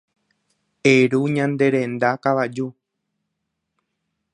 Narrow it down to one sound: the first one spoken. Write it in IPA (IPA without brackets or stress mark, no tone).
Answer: e